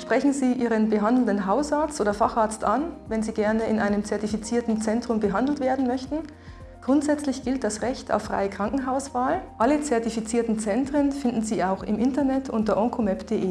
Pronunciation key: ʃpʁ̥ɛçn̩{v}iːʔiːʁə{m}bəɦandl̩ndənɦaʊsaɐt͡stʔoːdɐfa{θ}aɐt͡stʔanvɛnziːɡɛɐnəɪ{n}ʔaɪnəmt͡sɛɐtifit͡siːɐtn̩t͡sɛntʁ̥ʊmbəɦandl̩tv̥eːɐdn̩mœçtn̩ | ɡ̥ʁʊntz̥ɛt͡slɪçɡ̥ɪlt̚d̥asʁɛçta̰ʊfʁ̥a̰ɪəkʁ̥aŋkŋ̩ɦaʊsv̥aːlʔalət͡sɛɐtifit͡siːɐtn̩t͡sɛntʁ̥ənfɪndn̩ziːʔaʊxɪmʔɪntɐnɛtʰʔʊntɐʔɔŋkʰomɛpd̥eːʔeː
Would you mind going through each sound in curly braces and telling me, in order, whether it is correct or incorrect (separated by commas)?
incorrect, incorrect, incorrect, correct